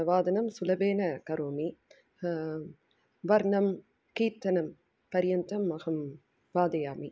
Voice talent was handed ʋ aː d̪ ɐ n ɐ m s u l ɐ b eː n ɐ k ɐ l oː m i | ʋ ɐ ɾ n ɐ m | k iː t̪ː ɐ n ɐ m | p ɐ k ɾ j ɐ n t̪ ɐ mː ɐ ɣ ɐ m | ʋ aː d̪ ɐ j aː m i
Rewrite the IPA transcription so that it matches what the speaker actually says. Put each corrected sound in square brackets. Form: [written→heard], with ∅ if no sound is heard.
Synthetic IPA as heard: ʋ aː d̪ ɐ n ɐ m s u l ɐ b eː n ɐ k ɐ [l→ɾ] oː m i | ʋ ɐ ɾ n ɐ m | k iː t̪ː ɐ n ɐ m | p ɐ [k→∅] ɾ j ɐ n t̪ ɐ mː ɐ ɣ ɐ m | ʋ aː d̪ ɐ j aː m i